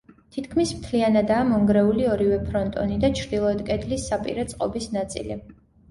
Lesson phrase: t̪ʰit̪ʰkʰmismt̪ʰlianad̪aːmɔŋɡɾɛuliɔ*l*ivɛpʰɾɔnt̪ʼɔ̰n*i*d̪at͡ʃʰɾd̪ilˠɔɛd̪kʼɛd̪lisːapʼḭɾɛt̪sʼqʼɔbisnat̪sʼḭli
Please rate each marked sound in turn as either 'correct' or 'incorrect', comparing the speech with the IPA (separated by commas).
incorrect, correct